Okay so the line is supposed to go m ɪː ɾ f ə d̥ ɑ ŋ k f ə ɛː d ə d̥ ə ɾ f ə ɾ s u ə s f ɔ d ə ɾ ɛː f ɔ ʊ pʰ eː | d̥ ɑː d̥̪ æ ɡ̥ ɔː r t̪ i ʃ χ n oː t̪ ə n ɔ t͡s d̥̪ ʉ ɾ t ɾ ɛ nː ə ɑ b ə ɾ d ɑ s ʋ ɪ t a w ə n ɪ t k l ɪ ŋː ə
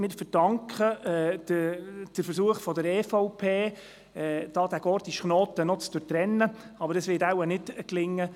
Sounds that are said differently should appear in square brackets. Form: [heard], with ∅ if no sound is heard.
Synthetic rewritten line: m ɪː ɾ f ə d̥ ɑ ŋ k [χ] ə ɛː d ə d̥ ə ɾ f ə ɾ s u ə [χ] f ɔ d ə ɾ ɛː f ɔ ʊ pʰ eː | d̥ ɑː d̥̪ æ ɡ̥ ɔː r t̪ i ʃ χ n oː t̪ ə n ɔ t͡s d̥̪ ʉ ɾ t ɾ ɛ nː ə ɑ b ə ɾ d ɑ s ʋ ɪ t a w ə n ɪ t k l ɪ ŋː ə